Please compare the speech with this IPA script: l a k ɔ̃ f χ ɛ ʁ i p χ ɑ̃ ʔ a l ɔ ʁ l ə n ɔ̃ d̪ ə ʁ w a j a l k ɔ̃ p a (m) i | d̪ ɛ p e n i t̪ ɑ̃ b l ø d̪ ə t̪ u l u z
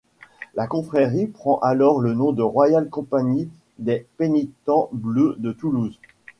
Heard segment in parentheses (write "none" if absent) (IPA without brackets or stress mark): ɲ